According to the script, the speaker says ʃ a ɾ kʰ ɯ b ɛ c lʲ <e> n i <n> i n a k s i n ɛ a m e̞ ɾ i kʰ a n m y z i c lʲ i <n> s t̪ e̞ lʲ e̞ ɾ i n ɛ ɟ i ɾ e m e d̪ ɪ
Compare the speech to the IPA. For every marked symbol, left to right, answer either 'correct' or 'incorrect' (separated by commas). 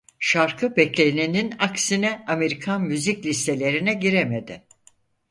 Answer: correct, correct, incorrect